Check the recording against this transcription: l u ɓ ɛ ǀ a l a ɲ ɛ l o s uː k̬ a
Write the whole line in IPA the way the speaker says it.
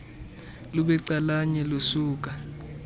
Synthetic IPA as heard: l u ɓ ɛ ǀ a l a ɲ ɛ l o s uː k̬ a